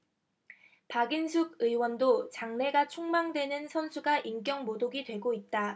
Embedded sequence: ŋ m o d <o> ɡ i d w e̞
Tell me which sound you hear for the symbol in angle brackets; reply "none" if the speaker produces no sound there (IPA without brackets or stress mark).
o